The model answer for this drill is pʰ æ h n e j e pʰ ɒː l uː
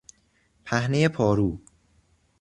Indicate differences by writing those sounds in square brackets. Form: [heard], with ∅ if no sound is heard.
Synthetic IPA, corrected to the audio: pʰ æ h n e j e pʰ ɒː [ɾ] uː